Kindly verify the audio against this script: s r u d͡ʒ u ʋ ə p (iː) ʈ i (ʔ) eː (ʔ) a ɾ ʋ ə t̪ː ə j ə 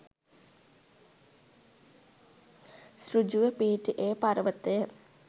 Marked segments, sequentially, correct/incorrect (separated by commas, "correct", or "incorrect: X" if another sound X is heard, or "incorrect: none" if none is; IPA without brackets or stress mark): correct, correct, incorrect: p